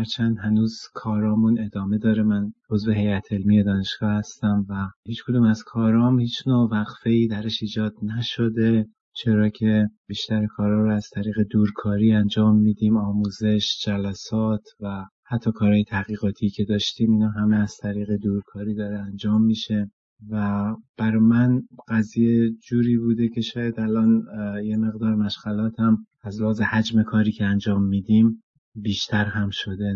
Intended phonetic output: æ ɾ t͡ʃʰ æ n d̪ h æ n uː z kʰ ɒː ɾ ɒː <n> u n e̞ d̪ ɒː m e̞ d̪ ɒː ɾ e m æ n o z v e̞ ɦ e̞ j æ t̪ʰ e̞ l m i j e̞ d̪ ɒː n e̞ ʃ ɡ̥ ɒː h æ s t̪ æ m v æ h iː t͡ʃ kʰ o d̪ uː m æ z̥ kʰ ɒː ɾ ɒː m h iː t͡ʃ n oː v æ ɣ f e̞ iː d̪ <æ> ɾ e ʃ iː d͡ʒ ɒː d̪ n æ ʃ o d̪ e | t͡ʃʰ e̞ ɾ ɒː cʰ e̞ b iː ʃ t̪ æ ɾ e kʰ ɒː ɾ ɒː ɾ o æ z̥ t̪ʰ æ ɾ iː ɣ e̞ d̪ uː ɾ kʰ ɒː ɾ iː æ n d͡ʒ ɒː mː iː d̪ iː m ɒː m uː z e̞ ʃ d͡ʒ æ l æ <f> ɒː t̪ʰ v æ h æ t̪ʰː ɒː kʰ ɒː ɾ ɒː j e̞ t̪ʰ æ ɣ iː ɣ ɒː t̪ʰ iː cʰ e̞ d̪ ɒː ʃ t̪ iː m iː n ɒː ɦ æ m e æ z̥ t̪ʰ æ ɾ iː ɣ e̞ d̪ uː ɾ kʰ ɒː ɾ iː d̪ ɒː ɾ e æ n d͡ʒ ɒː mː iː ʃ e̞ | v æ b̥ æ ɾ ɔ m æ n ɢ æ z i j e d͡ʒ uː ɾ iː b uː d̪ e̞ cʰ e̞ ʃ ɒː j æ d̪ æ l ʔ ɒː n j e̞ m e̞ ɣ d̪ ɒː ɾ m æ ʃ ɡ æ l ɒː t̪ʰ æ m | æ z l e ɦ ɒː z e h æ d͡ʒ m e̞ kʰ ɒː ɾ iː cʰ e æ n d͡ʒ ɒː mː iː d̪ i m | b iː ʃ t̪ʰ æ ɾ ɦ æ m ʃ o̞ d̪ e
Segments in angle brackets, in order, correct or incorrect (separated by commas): incorrect, correct, incorrect